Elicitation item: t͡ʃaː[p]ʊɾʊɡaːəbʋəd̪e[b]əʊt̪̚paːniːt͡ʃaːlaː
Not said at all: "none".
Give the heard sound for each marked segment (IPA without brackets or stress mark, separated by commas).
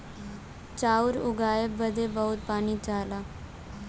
none, b